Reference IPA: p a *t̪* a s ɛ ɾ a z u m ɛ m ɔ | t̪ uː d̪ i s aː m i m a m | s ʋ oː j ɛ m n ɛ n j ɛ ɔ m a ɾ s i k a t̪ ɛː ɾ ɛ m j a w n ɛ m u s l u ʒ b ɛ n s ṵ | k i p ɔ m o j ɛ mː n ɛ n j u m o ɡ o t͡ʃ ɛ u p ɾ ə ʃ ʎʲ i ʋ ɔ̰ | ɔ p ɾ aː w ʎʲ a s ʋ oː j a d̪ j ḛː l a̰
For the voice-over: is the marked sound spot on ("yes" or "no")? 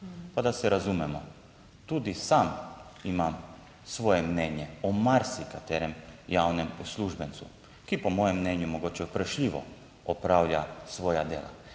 no